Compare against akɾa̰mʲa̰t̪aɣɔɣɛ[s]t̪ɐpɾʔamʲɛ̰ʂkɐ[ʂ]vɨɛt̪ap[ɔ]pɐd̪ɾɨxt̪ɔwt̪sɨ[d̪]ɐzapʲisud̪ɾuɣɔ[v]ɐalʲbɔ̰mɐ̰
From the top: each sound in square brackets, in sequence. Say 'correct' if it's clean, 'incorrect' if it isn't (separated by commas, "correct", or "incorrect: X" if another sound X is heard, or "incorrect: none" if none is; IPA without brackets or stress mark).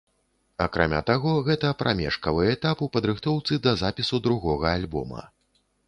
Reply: incorrect: none, incorrect: none, incorrect: u, correct, incorrect: ɣ